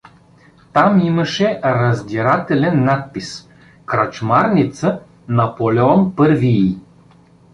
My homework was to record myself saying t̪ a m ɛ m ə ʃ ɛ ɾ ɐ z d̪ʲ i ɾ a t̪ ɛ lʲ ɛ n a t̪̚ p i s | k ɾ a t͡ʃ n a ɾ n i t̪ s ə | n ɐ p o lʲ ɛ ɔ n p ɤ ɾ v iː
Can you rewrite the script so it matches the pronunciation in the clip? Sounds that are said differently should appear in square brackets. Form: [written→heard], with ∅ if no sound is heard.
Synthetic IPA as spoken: t̪ a m [ɛ→i] m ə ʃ ɛ ɾ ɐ z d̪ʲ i ɾ a t̪ ɛ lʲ ɛ [n→nː] a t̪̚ p i s | k ɾ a t͡ʃ [n→m] a ɾ n i t̪ s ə | n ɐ p o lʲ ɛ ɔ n p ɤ ɾ v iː